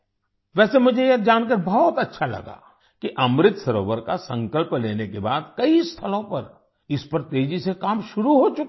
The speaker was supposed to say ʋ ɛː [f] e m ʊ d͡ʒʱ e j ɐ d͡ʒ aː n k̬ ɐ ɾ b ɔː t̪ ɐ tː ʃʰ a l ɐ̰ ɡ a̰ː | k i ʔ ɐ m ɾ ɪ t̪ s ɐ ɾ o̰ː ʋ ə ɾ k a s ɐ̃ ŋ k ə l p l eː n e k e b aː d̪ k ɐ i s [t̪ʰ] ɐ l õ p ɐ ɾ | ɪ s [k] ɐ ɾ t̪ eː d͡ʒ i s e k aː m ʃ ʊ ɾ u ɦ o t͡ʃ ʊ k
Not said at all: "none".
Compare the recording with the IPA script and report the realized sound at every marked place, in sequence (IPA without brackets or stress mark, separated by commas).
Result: s, t̪ʰ, p